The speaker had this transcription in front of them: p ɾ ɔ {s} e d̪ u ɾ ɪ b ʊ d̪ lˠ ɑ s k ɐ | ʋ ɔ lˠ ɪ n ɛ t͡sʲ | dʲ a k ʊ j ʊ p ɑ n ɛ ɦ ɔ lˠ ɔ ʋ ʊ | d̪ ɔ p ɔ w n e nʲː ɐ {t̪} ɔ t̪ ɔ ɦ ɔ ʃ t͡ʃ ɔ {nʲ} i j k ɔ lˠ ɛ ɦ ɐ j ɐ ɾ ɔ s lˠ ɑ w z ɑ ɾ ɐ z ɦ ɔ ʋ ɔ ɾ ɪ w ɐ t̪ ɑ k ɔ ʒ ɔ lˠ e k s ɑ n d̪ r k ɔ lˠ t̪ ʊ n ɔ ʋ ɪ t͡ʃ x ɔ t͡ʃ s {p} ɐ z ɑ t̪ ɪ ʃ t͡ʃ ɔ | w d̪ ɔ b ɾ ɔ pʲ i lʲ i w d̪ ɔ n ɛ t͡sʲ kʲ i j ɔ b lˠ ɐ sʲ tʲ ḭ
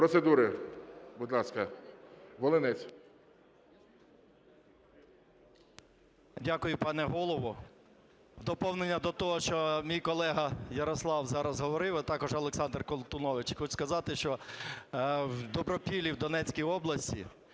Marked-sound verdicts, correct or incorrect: correct, incorrect, incorrect, incorrect

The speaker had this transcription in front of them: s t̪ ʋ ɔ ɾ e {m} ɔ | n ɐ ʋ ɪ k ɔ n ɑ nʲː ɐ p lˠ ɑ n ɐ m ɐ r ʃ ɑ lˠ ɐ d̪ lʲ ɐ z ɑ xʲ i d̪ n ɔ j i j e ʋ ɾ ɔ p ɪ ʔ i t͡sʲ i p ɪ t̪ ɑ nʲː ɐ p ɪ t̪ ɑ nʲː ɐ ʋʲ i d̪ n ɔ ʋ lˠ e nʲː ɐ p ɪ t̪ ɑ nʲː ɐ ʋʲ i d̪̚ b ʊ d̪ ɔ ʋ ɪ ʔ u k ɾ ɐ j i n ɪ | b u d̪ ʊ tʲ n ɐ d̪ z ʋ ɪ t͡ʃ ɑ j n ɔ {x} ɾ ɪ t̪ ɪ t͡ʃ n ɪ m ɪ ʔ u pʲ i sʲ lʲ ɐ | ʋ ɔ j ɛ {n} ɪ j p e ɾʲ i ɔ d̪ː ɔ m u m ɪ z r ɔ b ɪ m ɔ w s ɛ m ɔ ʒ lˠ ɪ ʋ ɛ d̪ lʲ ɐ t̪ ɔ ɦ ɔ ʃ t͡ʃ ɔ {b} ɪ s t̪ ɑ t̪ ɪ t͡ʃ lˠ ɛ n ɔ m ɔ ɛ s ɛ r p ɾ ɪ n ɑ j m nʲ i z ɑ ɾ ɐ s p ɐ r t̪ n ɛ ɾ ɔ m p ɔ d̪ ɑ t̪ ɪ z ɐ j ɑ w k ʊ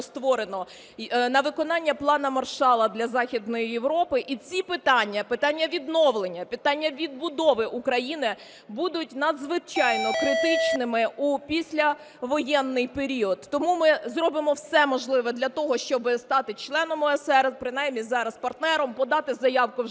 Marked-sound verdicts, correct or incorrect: incorrect, incorrect, incorrect, correct

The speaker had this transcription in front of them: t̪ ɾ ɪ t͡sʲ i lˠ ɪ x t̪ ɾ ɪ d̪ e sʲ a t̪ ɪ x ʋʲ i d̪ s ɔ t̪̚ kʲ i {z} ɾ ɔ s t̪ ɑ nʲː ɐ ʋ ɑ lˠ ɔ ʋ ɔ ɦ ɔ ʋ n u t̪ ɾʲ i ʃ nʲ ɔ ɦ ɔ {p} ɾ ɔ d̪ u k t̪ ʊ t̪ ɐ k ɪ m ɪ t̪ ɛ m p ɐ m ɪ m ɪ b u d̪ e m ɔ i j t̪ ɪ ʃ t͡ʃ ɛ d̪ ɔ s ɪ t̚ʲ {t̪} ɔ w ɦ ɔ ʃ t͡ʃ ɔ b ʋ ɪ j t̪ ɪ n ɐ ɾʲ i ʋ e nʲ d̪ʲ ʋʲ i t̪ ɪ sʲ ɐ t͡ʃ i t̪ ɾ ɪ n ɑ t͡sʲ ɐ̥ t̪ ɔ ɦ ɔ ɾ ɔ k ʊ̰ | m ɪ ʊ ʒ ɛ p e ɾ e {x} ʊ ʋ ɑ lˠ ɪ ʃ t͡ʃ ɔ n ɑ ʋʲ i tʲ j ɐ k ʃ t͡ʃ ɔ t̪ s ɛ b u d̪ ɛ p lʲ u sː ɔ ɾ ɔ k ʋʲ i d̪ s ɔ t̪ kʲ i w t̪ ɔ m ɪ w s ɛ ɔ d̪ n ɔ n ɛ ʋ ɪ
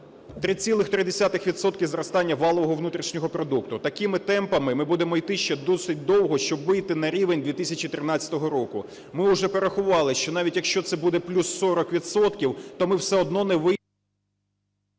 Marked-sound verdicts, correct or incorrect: correct, correct, incorrect, correct

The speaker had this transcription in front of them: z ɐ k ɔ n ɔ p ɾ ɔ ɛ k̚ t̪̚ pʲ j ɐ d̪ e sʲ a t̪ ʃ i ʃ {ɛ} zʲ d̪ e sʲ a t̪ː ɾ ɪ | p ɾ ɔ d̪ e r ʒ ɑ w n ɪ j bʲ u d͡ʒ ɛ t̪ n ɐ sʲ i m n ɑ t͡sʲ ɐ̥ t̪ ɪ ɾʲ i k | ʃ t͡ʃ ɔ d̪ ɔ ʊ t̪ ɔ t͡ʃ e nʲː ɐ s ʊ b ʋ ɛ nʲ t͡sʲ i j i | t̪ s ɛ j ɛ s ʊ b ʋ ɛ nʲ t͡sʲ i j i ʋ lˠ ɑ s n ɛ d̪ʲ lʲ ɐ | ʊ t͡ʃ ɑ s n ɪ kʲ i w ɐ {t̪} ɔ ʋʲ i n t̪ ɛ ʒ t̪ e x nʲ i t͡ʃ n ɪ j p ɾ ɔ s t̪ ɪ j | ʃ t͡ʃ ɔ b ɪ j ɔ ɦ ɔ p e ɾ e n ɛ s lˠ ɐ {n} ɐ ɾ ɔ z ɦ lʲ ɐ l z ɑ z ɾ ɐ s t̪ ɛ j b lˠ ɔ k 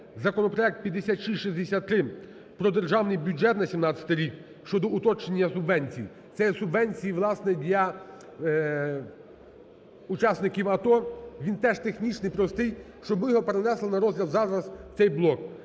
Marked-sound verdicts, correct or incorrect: incorrect, correct, correct

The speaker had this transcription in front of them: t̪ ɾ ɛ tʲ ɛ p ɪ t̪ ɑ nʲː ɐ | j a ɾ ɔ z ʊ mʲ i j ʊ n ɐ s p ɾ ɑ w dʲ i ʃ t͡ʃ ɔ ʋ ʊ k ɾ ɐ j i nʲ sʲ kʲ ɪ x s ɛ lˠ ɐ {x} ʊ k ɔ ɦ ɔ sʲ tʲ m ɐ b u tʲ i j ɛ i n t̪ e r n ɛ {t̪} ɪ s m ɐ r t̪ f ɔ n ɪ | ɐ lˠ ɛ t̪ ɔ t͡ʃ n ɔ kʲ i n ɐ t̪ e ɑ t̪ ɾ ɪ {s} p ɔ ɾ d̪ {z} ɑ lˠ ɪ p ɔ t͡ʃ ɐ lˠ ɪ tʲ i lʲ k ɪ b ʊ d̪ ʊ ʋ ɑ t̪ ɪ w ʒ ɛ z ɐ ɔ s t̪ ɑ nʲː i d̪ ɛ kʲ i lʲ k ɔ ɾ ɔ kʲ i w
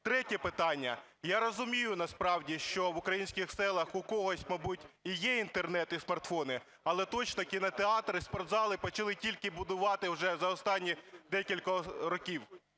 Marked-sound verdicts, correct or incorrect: correct, correct, correct, correct

